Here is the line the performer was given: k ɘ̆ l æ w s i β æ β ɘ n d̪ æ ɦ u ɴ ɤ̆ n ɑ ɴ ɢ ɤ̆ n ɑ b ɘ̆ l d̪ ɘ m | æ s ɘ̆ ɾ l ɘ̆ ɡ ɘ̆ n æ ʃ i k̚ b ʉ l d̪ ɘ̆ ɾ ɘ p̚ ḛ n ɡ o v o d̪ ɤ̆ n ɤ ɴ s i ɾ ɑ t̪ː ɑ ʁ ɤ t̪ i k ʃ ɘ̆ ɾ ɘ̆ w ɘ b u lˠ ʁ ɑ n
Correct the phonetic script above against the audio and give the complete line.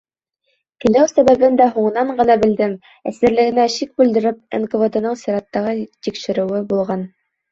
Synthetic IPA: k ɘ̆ l æ w s æ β æ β ɘ n d̪ æ ɦ u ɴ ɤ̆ n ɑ ɴ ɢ ɤ̆ n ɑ b ɘ̆ l d̪ ɘ m | æ s ɘ̆ ɾ l ɘ̆ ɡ ɘ̆ n æ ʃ i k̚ b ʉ l d̪ ɘ̆ ɾ ɘ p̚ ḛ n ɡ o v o d̪ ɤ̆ n ɤ ɴ s i ɾ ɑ t̪ː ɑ ʁ ɤ t̪ i k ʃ ɘ̆ ɾ ɘ̆ w ɘ b u lˠ ʁ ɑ n